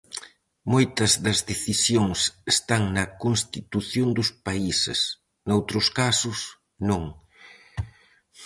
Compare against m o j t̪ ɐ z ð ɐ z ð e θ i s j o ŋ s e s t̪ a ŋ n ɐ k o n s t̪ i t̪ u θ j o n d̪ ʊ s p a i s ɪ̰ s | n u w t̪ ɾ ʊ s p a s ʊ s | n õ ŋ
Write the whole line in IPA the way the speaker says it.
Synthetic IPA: m o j t̪ ɐ z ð ɐ z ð e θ i s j o ŋ s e s t̪ a ŋ n ɐ k o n s t̪ i t̪ u θ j o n d̪ ʊ s p a i s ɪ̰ s | n o w t̪ ɾ ʊ s k a s ʊ s | n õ ŋ